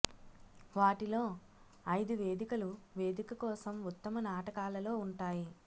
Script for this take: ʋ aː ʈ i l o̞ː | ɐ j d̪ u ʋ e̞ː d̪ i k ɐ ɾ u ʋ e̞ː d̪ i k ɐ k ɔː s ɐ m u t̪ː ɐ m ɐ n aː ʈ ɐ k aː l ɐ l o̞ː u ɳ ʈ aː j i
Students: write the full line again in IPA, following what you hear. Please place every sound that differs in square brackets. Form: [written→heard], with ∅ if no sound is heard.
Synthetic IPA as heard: ʋ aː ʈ i l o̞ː | ɐ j d̪ u ʋ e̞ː d̪ i k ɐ [ɾ→l] u ʋ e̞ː d̪ i k ɐ k ɔː s ɐ m u t̪ː ɐ m ɐ n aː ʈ ɐ k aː l ɐ l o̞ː u ɳ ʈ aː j i

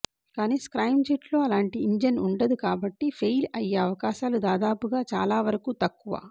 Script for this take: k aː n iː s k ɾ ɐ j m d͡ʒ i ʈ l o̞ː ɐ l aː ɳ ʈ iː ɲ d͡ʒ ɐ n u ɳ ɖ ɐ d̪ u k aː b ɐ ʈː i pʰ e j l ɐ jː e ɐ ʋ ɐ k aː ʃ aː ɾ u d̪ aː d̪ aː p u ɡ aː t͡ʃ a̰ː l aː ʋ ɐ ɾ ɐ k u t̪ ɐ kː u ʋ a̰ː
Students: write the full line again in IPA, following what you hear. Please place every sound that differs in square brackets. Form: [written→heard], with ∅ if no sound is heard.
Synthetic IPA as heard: k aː n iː s k ɾ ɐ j m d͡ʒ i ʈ l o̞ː ɐ l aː ɳ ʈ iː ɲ d͡ʒ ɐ n u ɳ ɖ ɐ d̪ u k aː b ɐ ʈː i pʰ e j l ɐ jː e ɐ ʋ ɐ k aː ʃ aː [ɾ→l] u d̪ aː d̪ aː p u ɡ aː t͡ʃ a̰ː l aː ʋ ɐ ɾ ɐ k u t̪ ɐ kː u ʋ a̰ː

